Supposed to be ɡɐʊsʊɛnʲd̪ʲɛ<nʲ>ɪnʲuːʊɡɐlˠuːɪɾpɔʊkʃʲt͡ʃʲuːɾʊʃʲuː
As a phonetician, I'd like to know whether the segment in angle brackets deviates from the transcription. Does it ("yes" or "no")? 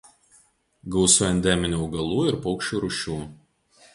yes